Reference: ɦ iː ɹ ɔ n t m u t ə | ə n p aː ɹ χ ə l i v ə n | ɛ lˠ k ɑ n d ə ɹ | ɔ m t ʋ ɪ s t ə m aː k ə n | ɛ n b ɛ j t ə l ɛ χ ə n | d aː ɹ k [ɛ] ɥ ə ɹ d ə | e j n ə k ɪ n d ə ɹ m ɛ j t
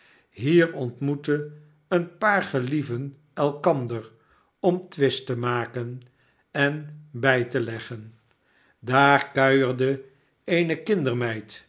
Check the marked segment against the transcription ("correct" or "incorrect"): incorrect